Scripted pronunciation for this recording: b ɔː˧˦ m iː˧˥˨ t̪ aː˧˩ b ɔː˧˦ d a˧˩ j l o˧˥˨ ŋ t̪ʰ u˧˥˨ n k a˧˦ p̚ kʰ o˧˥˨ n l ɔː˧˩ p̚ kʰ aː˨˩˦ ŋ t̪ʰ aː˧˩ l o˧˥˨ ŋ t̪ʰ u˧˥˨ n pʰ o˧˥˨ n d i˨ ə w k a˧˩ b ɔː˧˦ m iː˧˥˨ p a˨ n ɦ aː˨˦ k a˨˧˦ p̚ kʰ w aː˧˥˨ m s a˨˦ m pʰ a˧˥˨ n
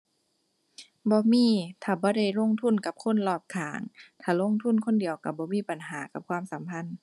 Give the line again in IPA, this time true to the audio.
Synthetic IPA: b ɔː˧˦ m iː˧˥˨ t̪ʰ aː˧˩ b ɔː˧˦ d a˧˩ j l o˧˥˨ ŋ t̪ʰ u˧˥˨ n k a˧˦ p̚ kʰ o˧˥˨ n l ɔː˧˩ p̚ kʰ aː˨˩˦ ŋ t̪ʰ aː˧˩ l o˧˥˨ ŋ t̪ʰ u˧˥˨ n kʰ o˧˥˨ n d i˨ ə w k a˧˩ b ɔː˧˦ m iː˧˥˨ p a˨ n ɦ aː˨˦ k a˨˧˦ p̚ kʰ w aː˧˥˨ m s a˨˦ m pʰ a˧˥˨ n

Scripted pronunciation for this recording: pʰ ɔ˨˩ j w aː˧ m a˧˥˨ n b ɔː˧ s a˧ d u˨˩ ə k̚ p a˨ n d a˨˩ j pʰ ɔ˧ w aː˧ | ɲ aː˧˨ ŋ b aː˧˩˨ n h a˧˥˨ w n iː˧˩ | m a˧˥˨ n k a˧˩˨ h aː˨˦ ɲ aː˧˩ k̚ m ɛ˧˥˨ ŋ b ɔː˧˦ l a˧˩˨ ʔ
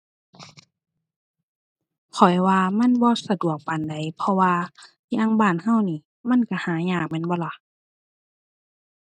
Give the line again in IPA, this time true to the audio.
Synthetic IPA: kʰ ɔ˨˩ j w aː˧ m a˧˥˨ n b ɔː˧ s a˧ d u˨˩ ə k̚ p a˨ n d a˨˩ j pʰ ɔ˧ w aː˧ | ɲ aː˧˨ ŋ b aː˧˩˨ n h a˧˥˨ w n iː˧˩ | m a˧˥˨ n k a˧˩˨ h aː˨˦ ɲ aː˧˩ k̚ m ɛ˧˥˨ n b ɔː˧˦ l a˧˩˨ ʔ

